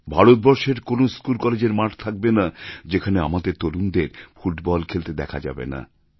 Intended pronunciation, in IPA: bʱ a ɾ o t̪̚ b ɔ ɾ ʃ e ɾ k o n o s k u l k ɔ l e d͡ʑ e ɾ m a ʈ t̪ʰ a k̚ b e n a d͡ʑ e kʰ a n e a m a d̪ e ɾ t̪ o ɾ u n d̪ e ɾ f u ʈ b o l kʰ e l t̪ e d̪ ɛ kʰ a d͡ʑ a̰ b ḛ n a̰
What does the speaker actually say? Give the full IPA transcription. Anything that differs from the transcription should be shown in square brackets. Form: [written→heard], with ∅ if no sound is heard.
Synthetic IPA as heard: bʱ a ɾ o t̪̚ b ɔ ɾ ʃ e ɾ k o n o s k u l k ɔ l e d͡ʑ e ɾ m a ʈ t̪ʰ a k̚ b e n a d͡ʑ e kʰ a n e a m a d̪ e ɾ t̪ o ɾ u n d̪ e ɾ f u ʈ b [o→ɔ] l kʰ e l t̪ e d̪ ɛ kʰ a d͡ʑ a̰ b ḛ n a̰